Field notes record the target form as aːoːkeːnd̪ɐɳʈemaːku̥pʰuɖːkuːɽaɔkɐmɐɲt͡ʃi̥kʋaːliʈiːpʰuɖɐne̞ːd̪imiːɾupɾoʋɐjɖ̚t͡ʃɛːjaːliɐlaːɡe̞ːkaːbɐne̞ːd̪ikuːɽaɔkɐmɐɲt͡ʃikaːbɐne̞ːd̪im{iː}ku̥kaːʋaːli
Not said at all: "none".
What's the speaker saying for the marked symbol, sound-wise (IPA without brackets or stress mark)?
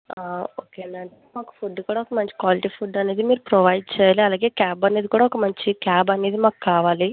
aː